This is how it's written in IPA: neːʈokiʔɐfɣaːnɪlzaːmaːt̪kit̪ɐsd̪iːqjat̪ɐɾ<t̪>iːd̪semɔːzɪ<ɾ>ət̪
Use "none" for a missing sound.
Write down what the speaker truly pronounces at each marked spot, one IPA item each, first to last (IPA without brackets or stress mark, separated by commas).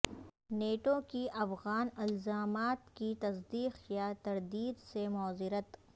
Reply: d̪, ɾ